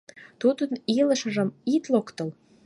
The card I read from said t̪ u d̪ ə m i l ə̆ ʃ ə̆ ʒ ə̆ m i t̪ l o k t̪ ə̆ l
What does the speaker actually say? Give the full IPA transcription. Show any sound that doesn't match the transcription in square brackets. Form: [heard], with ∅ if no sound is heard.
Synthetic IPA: t̪ u d̪ ə [n] i l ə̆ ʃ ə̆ ʒ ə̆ m i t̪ l o k t̪ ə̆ l

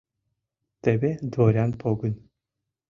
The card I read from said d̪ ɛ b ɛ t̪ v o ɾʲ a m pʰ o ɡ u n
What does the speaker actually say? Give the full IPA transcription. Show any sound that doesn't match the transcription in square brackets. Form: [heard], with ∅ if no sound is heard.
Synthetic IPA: [t̪] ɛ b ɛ [d̪] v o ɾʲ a [n] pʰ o ɡ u n

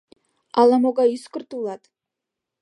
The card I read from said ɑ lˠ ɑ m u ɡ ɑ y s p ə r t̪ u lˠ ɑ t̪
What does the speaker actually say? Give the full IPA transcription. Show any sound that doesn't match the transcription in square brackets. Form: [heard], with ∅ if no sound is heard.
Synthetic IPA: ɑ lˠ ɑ m [o] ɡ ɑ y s [k] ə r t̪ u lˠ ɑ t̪

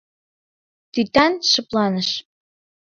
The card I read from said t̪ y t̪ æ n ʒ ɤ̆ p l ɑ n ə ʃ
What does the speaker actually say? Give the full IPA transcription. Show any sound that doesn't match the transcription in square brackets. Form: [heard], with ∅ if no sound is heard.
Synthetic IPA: t̪ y t̪ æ n [ʃ] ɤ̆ p l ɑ n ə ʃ

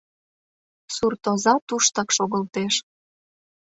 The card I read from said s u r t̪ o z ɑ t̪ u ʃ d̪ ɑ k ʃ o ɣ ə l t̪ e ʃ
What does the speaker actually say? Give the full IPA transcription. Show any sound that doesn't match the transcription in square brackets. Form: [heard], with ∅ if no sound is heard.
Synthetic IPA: s u r t̪ o z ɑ t̪ u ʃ [t̪] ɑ k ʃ o ɣ ə l t̪ e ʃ

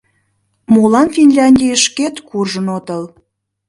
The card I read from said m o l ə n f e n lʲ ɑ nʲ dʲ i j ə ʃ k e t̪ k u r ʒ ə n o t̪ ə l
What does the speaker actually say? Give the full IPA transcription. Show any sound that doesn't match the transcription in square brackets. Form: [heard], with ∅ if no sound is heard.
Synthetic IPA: m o l [ɑ] n f [i] n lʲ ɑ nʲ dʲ i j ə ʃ k e t̪ k u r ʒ ə n o t̪ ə l

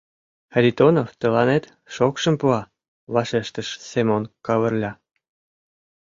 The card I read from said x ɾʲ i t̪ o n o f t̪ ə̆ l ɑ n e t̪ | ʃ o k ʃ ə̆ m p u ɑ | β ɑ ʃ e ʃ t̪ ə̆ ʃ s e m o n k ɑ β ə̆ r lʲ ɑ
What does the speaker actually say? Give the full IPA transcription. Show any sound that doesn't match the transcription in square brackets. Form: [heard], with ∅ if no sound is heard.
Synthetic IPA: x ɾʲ i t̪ o n o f t̪ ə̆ l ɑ n e t̪ | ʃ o k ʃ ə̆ m p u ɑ | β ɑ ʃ e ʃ t̪ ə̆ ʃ s e m o n k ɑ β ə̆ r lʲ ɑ

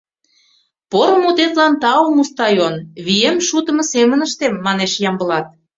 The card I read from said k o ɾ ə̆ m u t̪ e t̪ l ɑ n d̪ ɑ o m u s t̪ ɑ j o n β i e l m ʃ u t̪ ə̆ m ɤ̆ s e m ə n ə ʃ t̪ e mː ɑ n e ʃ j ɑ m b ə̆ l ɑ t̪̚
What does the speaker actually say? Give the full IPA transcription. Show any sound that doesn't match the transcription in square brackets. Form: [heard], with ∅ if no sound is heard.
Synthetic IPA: [p] o ɾ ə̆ m u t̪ e t̪ l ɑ n [t̪] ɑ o m u s t̪ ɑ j o n β i e [∅] m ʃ u t̪ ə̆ m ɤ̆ s e m ə n ə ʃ t̪ e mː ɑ n e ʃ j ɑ m b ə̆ l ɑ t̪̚

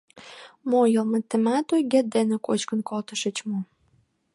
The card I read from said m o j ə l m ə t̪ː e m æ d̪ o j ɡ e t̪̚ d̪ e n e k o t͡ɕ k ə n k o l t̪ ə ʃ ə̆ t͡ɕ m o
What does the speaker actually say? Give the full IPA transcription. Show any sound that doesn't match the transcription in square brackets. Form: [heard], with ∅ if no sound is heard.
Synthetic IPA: m o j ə l m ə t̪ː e m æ [t̪] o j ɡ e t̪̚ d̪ e n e k o t͡ɕ k ə n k o l t̪ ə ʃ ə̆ t͡ɕ m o

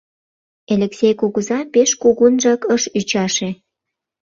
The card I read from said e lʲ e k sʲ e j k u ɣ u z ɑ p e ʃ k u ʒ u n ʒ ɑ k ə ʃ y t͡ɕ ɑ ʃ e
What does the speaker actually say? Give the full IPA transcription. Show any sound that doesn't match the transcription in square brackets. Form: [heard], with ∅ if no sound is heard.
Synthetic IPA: e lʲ e k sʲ e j k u ɣ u z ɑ p e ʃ k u [ɣ] u n ʒ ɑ k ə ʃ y t͡ɕ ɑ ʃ e

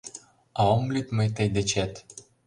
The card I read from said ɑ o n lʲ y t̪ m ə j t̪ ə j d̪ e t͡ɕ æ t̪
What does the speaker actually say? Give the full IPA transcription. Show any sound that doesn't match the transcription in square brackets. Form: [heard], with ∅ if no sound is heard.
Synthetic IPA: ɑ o [m] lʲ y t̪ m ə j t̪ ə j d̪ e t͡ɕ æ t̪

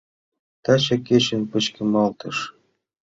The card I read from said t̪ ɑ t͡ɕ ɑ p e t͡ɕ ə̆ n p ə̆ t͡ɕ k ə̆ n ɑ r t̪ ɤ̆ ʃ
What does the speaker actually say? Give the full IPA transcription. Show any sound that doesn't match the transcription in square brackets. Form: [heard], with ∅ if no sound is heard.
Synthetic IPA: t̪ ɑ t͡ɕ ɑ [k] e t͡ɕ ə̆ n p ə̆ t͡ɕ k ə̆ [m] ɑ [l] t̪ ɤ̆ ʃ

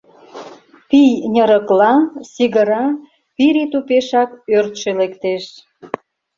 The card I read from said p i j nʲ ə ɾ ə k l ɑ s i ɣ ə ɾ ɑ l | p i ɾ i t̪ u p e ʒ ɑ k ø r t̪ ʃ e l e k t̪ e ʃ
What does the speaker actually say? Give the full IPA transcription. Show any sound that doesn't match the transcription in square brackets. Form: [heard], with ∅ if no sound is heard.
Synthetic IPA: p i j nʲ ə ɾ ə k l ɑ s i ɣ ə ɾ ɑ [∅] | p i ɾ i t̪ u p e [ʃ] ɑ k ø r t̪ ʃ e l e k t̪ e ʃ

